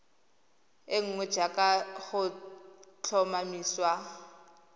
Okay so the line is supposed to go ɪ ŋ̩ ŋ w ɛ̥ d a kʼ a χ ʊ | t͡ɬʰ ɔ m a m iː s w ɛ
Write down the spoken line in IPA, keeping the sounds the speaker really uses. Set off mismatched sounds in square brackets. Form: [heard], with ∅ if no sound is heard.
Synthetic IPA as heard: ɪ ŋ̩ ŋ w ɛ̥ [d͡ʒ] a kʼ a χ ʊ | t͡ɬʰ ɔ m a m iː s w [a]